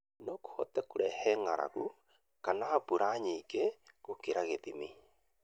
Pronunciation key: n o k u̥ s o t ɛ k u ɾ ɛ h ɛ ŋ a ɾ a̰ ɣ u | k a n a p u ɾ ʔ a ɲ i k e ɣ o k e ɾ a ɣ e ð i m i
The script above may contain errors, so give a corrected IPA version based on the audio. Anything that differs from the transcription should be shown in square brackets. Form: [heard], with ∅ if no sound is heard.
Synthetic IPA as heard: n o k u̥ [h] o t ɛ k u ɾ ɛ h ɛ ŋ a ɾ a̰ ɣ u | k a n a p u ɾ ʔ a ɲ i k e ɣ o k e ɾ a ɣ e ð i m i

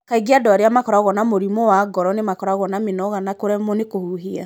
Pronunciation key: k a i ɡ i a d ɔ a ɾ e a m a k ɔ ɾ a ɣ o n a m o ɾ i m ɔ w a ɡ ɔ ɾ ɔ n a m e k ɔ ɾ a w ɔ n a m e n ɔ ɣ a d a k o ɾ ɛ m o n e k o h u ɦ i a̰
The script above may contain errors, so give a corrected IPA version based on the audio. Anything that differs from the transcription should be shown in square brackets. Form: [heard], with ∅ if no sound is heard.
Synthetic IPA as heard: k a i ɡ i a d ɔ a ɾ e a m a k ɔ ɾ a ɣ [ɔ] n a m o ɾ i m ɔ w a ɡ ɔ ɾ ɔ n [e] m [a] k ɔ ɾ a [ɣ] ɔ n a m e n ɔ ɣ a [n] a k o ɾ ɛ m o n e k o h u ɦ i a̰

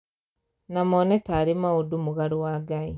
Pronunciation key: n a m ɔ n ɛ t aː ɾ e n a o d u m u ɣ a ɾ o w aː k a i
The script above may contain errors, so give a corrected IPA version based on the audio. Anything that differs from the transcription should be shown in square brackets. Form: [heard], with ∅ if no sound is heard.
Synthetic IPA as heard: n a m ɔ n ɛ t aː ɾ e [m] a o d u m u ɣ a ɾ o w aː [ɡ] a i

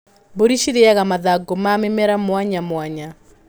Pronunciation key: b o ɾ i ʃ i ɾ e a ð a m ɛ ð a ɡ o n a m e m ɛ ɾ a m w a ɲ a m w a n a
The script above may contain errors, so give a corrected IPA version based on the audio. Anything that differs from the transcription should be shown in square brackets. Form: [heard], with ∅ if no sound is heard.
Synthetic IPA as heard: b o ɾ i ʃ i ɾ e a [ɣ] a m [a] ð a ɡ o [m] a m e m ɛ ɾ a m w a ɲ a m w a [ɲ] a

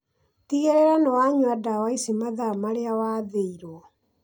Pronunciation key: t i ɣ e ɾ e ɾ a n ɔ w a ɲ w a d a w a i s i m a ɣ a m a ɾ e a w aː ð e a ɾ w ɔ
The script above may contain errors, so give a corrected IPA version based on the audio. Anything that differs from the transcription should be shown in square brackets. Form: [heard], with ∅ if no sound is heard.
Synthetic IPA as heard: t i ɣ e ɾ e ɾ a n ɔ w a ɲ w a d a w a i s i m a [ð] a m a ɾ e a w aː ð e [i] ɾ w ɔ

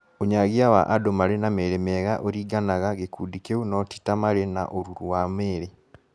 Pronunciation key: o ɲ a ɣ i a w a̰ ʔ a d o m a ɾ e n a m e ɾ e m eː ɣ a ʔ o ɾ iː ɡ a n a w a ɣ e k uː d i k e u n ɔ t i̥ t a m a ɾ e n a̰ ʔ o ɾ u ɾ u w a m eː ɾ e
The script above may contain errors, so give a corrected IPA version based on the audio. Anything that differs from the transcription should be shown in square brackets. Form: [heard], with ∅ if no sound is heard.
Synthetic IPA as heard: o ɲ a ɣ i a w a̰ ʔ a d o m a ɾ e n a m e ɾ e m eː ɣ a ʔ o ɾ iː ɡ a n a [ɣ] a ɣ e k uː d i k e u n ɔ t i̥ t a m a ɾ e n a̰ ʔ o ɾ u ɾ u w a m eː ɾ e

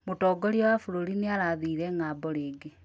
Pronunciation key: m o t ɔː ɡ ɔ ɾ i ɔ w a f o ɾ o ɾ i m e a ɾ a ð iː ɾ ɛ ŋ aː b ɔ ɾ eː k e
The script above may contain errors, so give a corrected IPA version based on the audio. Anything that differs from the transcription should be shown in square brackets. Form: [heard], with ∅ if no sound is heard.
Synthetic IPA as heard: m o t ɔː ɡ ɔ ɾ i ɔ w a f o ɾ o ɾ i [n] e a ɾ a ð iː ɾ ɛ ŋ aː b ɔ ɾ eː [ɡ] e

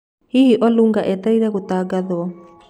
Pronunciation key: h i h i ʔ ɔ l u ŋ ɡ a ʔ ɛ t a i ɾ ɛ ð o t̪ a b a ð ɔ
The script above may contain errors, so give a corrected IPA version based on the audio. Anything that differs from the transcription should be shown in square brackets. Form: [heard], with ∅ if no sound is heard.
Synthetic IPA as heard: h i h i ʔ ɔ l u ŋ ɡ a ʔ ɛ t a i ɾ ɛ [ɣ] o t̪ a [ɡ] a ð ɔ

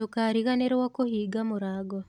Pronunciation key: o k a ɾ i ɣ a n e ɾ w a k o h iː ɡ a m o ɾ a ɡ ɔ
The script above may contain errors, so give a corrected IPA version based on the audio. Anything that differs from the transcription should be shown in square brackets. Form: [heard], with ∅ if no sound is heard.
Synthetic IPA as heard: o k a ɾ i ɣ a n e ɾ w a k o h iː ɡ a m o ɾ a ɡ ɔ

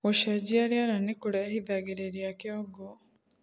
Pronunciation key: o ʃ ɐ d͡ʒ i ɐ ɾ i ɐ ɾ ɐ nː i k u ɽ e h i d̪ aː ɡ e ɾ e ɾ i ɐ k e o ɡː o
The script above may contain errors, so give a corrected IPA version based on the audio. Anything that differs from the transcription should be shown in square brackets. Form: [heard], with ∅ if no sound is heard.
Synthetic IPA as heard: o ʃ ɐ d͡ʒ i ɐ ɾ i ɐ ɾ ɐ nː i k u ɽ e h i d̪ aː ɡ e ɾ e ɾ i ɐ k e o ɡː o

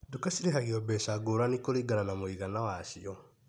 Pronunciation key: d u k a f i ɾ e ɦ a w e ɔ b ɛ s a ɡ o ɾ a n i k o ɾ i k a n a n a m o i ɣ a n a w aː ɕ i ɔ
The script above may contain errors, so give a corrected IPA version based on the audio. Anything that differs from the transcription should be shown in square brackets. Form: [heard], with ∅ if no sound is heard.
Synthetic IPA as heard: d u k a [s] i ɾ e ɦ a [ɣ] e ɔ b ɛ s a ɡ o ɾ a n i k o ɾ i [ɡ] a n a n a m o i ɣ a n a w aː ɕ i ɔ

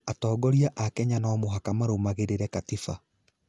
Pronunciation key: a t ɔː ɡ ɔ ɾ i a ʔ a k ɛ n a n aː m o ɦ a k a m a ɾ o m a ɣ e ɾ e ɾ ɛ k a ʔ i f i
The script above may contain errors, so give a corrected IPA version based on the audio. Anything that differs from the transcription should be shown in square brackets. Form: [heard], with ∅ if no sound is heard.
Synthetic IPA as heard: a t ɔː ɡ ɔ ɾ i a ʔ a k ɛ [ɲ] a n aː m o ɦ a k a m a ɾ o m a ɣ e ɾ e ɾ ɛ k a [t] i f [a]

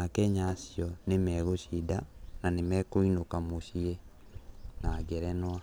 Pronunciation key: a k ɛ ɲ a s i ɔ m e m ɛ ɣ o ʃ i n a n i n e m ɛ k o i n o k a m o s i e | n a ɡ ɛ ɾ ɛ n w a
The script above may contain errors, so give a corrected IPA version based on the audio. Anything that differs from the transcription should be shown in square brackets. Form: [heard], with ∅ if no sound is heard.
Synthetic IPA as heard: a k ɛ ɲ a s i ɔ [n] e m ɛ ɣ o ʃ i [d] a n [a] n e m ɛ k o i n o k a m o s i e | n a ɡ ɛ ɾ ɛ n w a

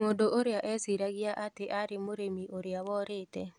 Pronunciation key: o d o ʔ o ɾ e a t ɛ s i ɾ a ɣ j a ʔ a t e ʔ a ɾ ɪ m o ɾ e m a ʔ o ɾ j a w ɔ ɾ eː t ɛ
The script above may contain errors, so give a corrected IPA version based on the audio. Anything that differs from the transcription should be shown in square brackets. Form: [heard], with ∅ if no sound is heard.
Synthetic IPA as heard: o d o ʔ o ɾ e a [ʔ] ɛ s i ɾ a ɣ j a ʔ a t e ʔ a ɾ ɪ m o ɾ e m [i] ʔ o ɾ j a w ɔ ɾ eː t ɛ

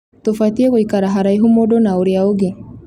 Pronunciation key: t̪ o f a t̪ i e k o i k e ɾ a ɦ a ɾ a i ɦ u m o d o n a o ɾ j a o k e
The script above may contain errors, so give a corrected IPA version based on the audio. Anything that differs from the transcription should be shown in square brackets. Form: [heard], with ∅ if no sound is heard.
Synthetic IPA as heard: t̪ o f a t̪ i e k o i k [a] ɾ a ɦ a ɾ a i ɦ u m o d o n a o ɾ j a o [ɡ] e

